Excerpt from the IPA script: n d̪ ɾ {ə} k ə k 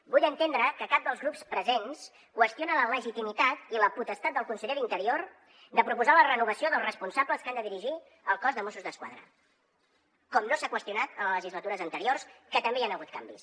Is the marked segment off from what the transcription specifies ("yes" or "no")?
no